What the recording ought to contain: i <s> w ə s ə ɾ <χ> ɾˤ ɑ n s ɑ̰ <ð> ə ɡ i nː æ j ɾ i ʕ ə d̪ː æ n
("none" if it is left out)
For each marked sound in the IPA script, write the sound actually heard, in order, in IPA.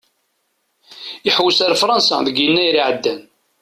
ħ, f, ð

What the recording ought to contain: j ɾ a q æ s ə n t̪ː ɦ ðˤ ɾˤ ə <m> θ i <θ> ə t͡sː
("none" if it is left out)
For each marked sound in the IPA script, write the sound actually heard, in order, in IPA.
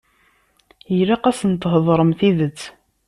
m, ð

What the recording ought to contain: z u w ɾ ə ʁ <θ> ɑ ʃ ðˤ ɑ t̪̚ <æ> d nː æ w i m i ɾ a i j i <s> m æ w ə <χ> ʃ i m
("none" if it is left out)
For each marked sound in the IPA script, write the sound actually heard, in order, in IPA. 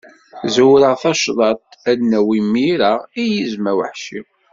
θ, æ, z, ħ

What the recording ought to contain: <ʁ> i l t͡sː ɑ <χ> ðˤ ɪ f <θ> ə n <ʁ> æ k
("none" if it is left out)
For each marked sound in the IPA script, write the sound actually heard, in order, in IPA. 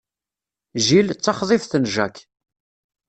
ʒ, χ, θ, ʒ

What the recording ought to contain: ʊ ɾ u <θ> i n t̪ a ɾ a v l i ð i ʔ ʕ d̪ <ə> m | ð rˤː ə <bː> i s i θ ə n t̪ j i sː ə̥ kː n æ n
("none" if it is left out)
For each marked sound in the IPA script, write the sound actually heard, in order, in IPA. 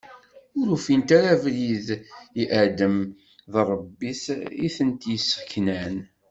f, ə, bː

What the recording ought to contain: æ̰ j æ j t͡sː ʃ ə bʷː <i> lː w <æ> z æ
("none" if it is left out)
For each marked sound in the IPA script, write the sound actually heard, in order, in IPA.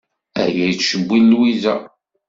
i, i

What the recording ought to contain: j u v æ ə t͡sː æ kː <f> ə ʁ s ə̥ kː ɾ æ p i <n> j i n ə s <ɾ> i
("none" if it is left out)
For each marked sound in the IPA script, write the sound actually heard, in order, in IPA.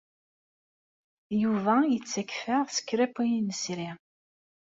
f, none, ɾ

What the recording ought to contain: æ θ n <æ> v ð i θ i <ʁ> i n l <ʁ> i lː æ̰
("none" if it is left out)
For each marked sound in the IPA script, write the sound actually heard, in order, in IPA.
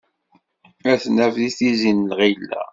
æ, z, ʁ

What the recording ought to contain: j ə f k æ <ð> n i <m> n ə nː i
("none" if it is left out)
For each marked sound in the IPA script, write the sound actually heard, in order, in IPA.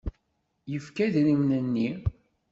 ð, m

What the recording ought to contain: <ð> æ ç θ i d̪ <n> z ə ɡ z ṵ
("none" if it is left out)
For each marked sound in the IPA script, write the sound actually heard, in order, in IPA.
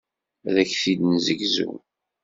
ð, n

